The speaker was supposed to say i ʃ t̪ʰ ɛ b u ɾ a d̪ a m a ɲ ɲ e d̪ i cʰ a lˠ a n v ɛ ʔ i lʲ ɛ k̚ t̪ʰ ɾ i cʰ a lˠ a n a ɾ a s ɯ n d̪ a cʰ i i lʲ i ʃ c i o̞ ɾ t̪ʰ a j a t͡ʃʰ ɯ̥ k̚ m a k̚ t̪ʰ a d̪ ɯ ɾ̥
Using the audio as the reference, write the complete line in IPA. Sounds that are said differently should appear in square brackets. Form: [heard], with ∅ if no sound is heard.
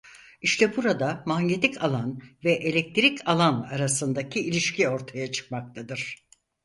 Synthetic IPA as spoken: i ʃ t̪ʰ ɛ b u ɾ a d̪ a m a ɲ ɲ e [t̪] i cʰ a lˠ a n v ɛ ʔ [e] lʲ ɛ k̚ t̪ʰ ɾ i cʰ a lˠ a n a ɾ a s ɯ n d̪ a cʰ i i lʲ i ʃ c i o̞ ɾ t̪ʰ a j a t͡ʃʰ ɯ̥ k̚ m a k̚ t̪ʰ a d̪ ɯ ɾ̥

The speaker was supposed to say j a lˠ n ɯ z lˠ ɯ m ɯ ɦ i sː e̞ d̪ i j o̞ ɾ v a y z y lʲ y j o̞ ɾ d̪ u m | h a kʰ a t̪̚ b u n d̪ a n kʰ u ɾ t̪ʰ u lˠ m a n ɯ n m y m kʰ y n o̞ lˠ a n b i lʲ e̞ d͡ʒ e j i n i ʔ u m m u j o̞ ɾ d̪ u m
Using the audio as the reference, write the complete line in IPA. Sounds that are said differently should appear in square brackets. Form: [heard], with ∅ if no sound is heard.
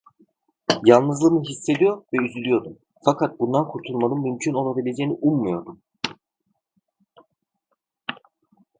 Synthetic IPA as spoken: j a lˠ n ɯ z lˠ ɯ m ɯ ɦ i sː e̞ d̪ i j o̞ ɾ v [ɛ] y z y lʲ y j o̞ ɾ d̪ u m | [f] a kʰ a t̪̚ b u n d̪ a n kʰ u ɾ t̪ʰ u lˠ m a n ɯ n m y m [cʰ] y n o̞ lˠ a [∅] b i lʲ e̞ d͡ʒ e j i n i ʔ u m m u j o̞ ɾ d̪ u m

